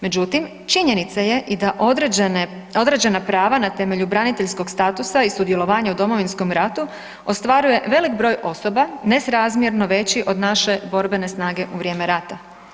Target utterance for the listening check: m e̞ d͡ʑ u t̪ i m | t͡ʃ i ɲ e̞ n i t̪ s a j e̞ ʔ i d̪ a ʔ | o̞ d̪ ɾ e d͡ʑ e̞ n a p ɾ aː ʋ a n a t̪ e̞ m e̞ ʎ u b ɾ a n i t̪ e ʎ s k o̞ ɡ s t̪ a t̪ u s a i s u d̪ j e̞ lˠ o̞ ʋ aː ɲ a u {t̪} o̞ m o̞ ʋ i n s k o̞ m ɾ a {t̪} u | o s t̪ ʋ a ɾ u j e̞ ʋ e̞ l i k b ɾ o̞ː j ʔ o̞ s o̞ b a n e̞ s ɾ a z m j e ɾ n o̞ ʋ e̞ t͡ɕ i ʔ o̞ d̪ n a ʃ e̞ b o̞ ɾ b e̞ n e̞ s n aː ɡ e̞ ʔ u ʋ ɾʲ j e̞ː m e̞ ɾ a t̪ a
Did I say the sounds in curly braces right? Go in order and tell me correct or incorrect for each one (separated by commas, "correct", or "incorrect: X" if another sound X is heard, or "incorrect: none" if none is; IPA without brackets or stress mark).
incorrect: d̪, correct